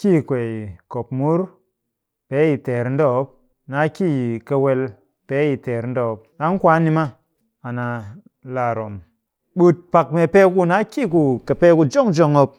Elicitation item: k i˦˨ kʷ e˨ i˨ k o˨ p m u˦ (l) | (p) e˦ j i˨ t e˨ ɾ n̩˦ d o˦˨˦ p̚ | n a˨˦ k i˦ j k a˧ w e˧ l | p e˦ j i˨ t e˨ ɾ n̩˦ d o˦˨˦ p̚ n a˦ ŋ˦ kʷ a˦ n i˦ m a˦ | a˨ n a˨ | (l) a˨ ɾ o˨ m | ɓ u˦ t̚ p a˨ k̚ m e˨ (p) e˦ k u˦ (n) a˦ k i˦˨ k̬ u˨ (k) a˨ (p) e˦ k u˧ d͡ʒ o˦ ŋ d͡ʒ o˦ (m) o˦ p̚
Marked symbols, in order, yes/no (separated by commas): no, yes, yes, yes, yes, yes, yes, no